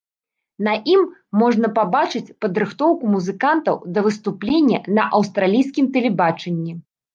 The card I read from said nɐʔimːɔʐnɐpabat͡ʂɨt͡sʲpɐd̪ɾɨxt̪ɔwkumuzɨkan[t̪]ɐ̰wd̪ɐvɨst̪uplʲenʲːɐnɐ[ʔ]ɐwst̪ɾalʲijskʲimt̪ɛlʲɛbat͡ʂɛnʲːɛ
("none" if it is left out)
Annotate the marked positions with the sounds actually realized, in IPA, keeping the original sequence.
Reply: t̪, ʔ

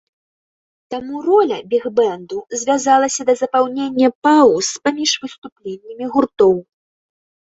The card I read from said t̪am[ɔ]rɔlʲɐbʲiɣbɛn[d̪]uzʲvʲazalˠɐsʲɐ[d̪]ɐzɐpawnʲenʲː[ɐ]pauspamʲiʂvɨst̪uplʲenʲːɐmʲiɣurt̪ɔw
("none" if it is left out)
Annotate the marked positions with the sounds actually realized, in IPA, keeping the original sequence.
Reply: u, d̪, d̪, ɐ

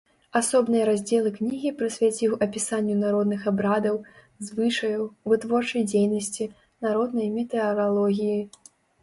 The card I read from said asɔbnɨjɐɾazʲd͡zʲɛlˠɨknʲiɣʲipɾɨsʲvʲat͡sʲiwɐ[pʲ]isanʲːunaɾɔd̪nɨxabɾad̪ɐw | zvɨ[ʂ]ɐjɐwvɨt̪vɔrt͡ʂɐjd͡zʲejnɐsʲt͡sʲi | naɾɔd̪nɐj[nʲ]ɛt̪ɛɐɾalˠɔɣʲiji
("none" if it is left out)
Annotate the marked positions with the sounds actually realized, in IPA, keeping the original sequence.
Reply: pʲ, ʂ, mʲ

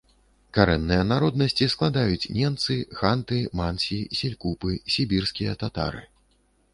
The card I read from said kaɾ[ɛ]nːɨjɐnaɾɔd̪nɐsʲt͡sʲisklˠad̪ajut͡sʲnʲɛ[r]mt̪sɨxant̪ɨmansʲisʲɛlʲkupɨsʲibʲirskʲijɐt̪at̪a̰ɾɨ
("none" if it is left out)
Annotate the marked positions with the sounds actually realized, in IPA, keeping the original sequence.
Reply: ɛ, none

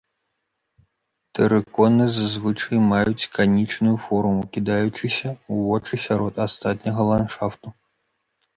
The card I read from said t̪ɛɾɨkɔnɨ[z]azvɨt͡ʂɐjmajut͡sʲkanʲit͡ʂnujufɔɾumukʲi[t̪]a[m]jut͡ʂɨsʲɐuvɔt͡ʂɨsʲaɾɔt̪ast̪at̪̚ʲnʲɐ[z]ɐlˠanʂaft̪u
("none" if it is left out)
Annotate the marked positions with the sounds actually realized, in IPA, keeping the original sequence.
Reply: z, d̪, none, ɣ

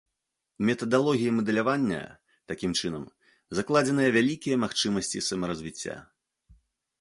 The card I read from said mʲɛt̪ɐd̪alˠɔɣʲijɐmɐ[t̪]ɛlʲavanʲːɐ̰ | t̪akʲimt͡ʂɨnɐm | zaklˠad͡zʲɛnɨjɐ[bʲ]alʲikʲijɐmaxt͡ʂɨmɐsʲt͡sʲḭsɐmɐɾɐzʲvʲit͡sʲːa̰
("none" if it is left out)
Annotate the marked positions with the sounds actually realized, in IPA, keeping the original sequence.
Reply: d̪, vʲ

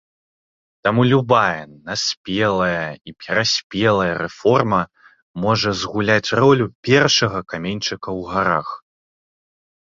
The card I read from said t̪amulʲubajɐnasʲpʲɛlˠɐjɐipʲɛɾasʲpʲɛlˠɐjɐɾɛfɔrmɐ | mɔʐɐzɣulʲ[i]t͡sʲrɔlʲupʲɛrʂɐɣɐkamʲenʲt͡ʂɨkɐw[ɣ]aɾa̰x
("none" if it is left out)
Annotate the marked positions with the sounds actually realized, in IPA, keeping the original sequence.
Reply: a, ɣ

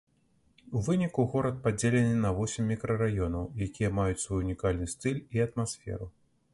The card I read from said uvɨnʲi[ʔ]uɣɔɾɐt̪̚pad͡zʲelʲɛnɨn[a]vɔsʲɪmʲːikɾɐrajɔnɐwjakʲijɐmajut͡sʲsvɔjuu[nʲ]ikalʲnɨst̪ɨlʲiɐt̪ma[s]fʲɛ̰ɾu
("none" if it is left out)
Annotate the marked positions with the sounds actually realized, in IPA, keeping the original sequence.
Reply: k, ɐ, nʲ, s

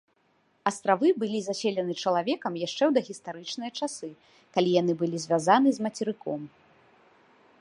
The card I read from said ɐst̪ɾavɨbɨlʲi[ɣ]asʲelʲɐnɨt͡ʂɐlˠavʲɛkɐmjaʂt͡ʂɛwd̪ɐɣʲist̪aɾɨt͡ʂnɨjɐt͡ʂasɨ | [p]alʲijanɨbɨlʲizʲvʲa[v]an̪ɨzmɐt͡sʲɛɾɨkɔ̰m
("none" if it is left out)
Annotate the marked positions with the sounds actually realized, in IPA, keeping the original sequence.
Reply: z, k, z

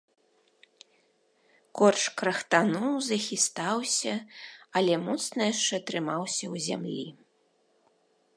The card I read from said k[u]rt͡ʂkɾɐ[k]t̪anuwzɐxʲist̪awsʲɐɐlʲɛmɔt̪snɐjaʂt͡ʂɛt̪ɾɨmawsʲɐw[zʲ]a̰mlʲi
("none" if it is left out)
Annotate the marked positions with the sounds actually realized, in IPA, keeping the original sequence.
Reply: ɔ, x, zʲ

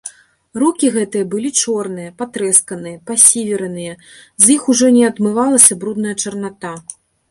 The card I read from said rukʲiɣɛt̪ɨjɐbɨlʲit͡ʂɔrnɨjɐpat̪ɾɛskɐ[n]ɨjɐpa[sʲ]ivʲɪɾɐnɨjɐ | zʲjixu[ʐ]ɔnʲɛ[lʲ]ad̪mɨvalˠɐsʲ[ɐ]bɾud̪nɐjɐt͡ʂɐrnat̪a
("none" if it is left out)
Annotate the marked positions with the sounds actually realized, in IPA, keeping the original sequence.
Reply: n, sʲ, ʐ, none, ɐ

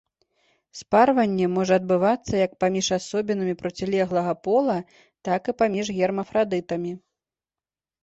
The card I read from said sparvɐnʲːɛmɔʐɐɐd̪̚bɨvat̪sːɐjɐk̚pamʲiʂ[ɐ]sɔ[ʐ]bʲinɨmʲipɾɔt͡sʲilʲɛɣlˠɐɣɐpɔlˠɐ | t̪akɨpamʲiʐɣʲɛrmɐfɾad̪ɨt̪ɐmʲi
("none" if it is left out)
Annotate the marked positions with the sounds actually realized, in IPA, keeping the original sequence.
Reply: a, none

